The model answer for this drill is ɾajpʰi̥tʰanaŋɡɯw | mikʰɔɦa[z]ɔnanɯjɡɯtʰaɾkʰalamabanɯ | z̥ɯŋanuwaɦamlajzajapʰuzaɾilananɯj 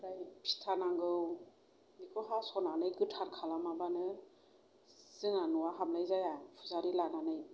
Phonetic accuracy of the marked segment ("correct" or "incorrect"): incorrect